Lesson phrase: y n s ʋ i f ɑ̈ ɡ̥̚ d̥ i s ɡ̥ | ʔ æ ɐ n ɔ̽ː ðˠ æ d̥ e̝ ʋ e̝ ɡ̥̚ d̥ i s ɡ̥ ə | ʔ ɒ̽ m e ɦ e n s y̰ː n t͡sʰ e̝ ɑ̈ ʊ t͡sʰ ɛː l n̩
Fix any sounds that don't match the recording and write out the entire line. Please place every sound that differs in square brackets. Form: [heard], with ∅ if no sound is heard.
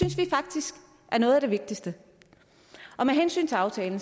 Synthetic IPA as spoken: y n s ʋ i f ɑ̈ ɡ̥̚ d̥ i s ɡ̥ | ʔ æ ɐ n ɔ̽ː ðˠ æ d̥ e̝ ʋ e̝ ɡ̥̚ d̥ i s [d̥] ə | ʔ ɒ̽ m e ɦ e n s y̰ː n t͡sʰ e̝ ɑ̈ ʊ t͡sʰ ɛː l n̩